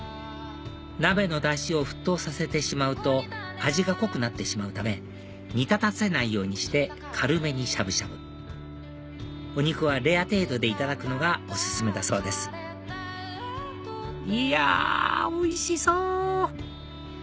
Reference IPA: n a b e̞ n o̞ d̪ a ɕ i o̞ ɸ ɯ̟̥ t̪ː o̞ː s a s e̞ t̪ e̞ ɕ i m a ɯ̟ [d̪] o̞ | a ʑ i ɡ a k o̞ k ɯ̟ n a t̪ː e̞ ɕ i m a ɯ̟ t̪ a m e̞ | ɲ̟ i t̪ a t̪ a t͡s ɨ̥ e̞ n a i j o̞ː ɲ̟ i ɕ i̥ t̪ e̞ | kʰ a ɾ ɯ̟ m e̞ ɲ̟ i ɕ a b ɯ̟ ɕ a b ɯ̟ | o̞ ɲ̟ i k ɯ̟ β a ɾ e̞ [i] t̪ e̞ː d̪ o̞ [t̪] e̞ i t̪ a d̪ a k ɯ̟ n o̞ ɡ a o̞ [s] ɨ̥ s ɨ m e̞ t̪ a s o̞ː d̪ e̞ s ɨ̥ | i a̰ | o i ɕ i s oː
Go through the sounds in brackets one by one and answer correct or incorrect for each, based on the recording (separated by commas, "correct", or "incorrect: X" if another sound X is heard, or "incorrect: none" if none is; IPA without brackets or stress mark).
incorrect: t̪, incorrect: a, incorrect: d̪, correct